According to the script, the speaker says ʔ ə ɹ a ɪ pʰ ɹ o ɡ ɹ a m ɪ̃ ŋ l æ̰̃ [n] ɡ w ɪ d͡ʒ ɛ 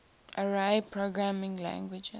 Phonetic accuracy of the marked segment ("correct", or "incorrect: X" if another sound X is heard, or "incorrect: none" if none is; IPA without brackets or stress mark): incorrect: ŋ